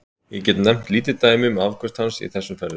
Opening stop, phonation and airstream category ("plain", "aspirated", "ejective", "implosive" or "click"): plain